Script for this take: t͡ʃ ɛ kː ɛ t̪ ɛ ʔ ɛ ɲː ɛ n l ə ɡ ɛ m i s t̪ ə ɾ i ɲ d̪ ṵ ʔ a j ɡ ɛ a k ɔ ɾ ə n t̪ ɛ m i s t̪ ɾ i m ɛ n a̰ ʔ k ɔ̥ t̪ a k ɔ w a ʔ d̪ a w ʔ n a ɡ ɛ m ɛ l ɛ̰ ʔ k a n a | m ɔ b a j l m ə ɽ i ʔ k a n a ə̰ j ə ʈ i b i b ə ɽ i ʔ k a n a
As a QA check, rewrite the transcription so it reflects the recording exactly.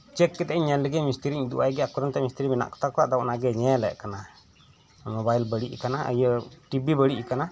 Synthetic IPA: t͡ʃ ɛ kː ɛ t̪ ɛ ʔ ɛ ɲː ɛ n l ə ɡ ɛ m i s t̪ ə ɾ i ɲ d̪ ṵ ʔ a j ɡ ɛ a k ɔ ɾ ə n t̪ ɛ m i s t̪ ɾ i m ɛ n a̰ ʔ k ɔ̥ t̪ a k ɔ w a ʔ d̪ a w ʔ n a ɡ ɛ ɲ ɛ l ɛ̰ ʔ k a n a | m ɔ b a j l b ə ɽ i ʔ k a n a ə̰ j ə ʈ i b i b ə ɽ i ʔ k a n a